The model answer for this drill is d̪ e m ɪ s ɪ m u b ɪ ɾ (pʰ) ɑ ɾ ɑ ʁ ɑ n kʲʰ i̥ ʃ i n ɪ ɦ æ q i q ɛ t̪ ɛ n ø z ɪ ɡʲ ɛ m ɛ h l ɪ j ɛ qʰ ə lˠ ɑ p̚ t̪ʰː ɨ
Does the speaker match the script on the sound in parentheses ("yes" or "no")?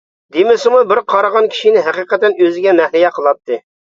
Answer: no